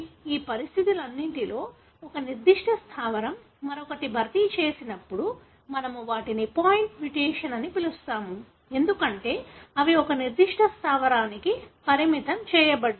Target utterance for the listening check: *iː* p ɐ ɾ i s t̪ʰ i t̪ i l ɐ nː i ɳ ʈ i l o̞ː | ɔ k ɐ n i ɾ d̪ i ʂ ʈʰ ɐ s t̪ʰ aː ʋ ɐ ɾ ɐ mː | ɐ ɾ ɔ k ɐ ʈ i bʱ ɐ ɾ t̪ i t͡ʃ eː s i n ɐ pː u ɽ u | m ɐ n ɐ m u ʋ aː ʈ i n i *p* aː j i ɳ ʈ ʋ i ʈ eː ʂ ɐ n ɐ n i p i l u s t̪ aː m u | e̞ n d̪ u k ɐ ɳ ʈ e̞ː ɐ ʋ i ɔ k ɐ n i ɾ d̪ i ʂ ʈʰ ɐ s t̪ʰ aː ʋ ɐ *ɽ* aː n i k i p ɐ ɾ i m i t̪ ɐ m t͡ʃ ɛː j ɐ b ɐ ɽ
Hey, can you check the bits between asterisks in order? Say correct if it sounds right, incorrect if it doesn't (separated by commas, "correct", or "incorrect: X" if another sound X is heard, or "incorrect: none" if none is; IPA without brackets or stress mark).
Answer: correct, correct, incorrect: ɾ